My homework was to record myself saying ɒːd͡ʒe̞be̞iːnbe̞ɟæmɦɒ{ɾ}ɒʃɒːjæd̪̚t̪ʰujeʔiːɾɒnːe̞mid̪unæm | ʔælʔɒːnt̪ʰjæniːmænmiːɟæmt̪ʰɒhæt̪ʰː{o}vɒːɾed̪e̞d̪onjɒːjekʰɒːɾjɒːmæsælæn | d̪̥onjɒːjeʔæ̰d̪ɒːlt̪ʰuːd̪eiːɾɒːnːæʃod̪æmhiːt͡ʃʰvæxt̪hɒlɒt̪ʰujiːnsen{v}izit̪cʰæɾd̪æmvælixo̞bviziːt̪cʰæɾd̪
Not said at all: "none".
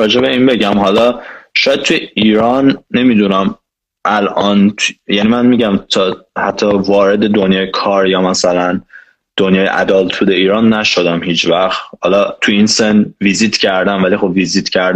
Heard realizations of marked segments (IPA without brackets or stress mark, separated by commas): l, ɒ, v